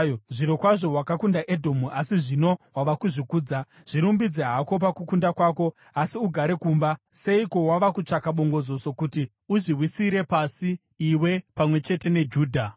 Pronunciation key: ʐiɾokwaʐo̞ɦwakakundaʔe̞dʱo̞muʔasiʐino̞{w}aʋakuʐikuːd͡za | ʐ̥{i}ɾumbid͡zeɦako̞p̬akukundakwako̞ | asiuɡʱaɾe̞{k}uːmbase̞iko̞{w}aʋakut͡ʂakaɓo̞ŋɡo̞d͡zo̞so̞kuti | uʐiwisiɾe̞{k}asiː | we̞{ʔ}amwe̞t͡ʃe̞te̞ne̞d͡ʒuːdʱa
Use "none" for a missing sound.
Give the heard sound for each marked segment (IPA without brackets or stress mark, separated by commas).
w, i, k, w, p, p